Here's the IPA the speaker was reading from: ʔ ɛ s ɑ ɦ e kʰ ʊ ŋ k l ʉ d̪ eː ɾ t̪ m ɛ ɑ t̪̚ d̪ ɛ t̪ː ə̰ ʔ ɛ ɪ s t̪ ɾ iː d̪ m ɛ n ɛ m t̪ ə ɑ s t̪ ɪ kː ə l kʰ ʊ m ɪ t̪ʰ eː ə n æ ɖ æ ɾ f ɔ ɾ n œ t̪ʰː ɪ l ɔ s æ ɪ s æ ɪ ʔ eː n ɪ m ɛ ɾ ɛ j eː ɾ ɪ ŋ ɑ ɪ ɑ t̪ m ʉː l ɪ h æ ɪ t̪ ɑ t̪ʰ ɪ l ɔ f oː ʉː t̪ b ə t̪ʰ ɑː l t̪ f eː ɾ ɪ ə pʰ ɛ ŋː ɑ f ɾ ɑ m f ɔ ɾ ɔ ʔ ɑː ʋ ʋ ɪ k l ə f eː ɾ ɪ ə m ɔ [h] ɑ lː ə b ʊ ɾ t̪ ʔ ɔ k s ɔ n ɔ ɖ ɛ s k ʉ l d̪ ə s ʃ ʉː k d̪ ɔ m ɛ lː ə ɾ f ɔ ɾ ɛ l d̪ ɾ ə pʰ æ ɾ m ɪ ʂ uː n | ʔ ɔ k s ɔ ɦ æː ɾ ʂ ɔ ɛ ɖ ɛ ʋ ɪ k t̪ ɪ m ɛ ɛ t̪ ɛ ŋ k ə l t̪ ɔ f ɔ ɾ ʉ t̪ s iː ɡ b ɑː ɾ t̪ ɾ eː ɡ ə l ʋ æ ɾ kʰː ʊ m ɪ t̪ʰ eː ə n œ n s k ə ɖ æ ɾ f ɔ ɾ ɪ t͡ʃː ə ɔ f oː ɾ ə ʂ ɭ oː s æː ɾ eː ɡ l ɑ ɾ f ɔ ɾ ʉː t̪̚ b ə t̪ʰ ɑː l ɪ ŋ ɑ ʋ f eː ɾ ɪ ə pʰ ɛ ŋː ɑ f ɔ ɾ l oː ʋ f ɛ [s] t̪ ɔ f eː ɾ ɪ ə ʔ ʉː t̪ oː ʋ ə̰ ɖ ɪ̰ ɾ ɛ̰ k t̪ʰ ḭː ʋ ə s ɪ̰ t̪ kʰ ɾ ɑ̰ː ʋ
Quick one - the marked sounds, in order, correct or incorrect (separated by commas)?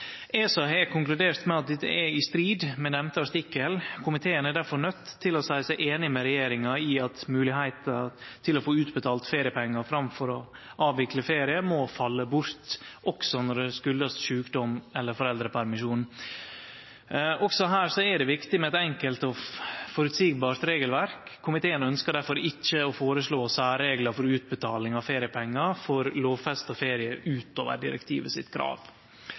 incorrect, correct